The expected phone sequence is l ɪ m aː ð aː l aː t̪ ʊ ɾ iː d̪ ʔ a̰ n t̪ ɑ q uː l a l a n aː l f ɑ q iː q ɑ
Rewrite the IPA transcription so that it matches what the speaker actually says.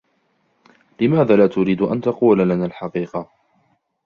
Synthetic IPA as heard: l ɪ m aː ð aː l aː t̪ ʊ ɾ iː d̪ ʔ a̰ n t̪ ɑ q uː l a l a n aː l ħ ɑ q iː q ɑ